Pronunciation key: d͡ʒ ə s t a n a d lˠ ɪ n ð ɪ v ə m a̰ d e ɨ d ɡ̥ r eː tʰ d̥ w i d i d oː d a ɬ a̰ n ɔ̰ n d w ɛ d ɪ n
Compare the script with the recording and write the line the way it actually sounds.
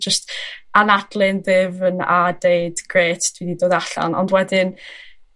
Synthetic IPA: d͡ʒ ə s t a n a d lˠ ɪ n ð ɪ v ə n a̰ d e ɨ d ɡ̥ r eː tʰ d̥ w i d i d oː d a ɬ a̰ n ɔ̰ n d w ɛ d ɪ n